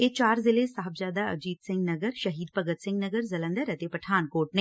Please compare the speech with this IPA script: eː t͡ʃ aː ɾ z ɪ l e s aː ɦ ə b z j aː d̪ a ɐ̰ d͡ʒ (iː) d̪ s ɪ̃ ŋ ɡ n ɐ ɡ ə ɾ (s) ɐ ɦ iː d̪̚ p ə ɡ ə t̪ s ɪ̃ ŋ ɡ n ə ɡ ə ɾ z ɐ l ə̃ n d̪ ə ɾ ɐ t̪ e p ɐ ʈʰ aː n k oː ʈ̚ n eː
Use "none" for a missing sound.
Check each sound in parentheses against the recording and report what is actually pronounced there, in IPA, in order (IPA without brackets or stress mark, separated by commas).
iː, ʃ